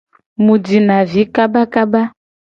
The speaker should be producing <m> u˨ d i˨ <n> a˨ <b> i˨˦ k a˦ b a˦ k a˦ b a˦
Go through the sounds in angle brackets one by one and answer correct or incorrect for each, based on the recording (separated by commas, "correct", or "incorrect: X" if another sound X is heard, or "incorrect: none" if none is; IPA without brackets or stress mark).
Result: correct, correct, incorrect: v